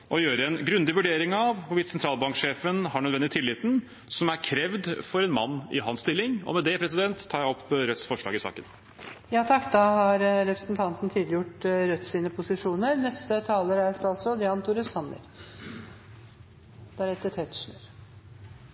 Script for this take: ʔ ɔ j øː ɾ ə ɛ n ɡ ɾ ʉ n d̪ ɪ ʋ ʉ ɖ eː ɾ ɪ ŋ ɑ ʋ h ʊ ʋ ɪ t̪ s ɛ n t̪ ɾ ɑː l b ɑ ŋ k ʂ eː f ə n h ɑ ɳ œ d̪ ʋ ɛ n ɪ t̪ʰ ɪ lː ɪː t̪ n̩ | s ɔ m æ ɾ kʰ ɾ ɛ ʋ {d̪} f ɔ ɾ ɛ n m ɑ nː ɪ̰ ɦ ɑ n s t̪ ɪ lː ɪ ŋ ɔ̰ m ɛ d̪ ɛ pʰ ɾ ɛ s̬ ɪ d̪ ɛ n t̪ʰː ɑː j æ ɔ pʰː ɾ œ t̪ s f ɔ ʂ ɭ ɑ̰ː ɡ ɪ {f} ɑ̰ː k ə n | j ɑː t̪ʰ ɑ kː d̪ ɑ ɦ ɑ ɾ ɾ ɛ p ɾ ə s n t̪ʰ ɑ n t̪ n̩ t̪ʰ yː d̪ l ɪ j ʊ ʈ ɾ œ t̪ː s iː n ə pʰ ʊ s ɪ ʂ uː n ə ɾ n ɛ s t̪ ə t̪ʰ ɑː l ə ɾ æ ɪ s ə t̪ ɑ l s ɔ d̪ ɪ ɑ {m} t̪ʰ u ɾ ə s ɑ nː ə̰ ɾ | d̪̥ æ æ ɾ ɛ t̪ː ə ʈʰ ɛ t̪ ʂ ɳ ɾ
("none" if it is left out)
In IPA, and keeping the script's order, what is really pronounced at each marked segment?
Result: d̪, s, n

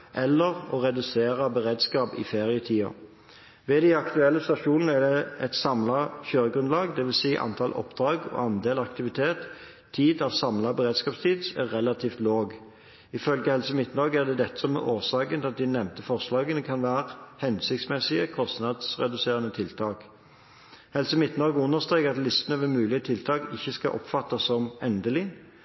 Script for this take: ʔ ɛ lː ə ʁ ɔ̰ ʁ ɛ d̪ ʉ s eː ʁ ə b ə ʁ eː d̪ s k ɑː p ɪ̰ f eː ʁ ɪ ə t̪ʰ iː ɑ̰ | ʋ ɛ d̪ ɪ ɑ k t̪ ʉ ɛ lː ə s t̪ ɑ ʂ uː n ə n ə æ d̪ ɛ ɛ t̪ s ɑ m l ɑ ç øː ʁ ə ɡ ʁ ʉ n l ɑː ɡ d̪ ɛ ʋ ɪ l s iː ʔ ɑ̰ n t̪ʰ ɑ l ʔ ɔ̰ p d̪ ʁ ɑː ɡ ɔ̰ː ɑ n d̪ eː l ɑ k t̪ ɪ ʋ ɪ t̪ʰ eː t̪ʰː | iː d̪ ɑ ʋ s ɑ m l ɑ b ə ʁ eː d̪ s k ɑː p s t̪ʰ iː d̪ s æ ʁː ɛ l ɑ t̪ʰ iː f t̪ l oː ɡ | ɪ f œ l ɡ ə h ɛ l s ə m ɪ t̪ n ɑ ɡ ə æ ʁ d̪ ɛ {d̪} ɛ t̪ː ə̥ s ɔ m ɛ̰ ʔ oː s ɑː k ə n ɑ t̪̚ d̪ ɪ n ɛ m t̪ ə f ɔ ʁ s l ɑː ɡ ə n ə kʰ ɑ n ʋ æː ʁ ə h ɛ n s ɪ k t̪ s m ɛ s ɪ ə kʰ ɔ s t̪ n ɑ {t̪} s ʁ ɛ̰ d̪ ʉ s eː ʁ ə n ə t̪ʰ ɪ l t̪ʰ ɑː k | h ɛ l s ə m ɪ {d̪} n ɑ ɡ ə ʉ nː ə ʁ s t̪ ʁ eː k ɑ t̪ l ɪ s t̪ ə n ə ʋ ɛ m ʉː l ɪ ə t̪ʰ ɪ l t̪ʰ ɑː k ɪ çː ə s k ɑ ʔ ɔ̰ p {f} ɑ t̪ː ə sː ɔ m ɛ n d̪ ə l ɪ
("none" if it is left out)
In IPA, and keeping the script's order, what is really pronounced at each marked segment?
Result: d̪, d̪, t̪, f

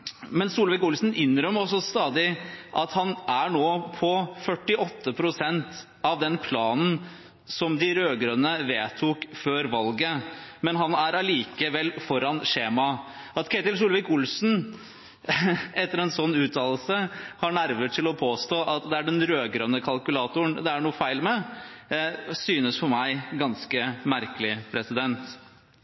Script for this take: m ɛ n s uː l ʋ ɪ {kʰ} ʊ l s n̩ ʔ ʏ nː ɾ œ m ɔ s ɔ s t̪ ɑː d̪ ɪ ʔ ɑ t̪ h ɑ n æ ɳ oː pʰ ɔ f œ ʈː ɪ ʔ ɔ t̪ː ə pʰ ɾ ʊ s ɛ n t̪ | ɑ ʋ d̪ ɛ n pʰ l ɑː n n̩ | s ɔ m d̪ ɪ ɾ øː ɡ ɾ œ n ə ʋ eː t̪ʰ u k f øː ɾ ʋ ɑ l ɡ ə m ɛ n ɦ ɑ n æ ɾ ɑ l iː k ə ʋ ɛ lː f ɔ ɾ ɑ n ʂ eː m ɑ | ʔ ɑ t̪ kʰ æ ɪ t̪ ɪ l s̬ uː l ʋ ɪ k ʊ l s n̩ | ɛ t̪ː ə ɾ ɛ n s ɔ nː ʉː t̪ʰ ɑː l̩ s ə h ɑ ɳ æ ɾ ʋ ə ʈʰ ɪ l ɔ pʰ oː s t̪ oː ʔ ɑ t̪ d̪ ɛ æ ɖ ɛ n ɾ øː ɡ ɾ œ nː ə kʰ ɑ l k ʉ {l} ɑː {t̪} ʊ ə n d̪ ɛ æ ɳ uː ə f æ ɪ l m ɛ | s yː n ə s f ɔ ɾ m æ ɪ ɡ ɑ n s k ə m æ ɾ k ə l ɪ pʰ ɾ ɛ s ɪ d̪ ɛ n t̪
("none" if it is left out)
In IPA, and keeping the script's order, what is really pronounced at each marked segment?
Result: k, l, t̪

